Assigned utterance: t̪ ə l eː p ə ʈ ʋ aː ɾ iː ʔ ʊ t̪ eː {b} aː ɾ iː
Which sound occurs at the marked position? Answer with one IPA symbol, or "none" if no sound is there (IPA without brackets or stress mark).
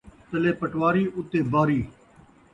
b